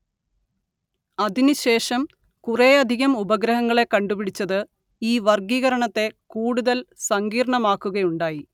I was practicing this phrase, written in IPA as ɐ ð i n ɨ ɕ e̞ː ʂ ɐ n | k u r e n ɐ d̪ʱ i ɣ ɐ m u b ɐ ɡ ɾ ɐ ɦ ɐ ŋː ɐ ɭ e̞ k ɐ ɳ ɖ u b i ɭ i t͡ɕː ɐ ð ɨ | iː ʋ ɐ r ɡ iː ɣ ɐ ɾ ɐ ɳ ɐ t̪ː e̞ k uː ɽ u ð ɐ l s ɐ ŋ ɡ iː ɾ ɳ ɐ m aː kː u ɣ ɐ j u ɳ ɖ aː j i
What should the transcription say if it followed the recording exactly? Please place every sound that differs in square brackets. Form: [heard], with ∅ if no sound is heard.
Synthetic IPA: ɐ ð i n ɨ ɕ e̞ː ʂ ɐ [m] | k u r e [∅] ɐ d̪ʱ i ɣ ɐ m u b ɐ ɡ ɾ ɐ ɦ ɐ ŋː ɐ ɭ e̞ k ɐ ɳ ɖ u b i [ɽ] i t͡ɕː ɐ ð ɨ | iː ʋ ɐ r ɡ iː ɣ ɐ ɾ ɐ ɳ ɐ t̪ː e̞ k uː ɽ u ð ɐ l s ɐ ŋ ɡ iː ɾ ɳ ɐ m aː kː u ɣ ɐ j u ɳ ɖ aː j i